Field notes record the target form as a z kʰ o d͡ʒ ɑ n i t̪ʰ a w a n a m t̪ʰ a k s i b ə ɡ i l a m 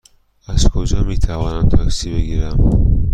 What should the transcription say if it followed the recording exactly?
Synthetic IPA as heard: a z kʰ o d͡ʒ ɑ m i t̪ʰ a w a n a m t̪ʰ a k s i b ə ɡ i ɾ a m